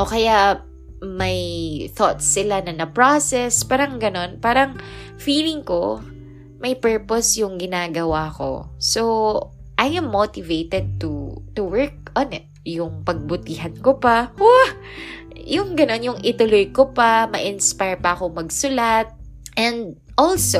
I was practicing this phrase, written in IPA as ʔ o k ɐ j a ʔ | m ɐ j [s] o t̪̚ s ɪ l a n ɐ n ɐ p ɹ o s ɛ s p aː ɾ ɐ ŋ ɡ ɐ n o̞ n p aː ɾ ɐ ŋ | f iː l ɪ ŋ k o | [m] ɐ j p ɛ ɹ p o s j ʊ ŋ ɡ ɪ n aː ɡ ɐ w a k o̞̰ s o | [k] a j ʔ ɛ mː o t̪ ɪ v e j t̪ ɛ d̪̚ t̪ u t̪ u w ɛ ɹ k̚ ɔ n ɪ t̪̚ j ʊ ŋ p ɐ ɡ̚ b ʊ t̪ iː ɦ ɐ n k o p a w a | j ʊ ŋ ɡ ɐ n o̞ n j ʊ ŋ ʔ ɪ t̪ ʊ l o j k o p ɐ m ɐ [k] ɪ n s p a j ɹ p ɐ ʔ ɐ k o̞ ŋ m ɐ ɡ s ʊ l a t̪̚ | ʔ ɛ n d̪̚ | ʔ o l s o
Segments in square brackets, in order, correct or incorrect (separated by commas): incorrect, correct, incorrect, incorrect